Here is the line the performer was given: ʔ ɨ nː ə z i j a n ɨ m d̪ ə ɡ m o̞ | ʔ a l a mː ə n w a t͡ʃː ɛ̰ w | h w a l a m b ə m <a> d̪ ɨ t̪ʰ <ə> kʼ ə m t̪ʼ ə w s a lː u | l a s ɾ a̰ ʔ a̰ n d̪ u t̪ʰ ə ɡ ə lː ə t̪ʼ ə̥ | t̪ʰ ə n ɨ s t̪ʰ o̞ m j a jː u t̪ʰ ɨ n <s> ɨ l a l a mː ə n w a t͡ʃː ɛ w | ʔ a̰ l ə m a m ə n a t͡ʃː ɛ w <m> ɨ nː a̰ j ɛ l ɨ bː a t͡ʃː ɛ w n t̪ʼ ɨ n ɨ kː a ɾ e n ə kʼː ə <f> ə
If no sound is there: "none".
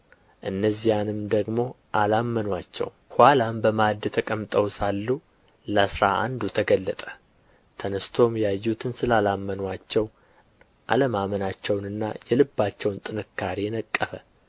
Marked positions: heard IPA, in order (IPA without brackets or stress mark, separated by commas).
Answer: a, ə, s, n, f